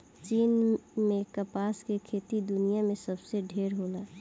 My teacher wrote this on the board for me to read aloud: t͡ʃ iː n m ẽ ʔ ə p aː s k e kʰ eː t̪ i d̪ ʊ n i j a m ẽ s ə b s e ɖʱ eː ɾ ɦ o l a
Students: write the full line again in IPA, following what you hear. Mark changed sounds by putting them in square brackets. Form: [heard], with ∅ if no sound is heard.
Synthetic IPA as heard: t͡ʃ iː n m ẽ [k] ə p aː s k e kʰ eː t̪ i d̪ ʊ n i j a m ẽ s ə b s e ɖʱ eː ɾ ɦ o l a